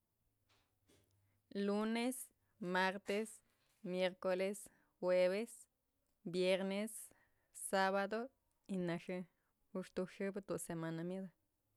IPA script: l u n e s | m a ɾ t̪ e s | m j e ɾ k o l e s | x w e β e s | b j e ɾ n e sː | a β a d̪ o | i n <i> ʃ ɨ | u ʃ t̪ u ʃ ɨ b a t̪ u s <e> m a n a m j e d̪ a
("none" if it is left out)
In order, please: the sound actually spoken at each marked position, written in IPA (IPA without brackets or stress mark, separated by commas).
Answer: a, e